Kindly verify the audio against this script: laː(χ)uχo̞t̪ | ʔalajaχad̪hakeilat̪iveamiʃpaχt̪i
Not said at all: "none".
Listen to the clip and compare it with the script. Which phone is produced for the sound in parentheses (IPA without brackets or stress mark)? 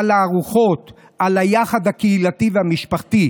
ʁ